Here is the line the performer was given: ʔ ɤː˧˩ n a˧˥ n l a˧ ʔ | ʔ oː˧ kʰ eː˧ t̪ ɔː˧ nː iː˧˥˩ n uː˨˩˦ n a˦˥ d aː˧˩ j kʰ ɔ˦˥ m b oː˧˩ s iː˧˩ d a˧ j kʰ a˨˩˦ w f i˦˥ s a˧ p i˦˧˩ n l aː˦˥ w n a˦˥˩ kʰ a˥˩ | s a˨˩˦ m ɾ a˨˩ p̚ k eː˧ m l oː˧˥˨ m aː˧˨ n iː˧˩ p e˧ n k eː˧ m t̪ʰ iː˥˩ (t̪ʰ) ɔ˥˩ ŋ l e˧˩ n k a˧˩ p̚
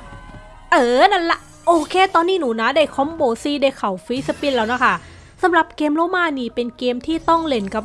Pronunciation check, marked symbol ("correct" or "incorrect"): incorrect